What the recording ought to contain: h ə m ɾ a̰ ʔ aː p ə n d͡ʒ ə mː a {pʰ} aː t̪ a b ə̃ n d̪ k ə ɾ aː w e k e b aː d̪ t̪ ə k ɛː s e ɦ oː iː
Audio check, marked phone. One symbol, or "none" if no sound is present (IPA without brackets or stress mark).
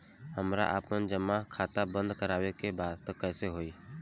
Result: kʰ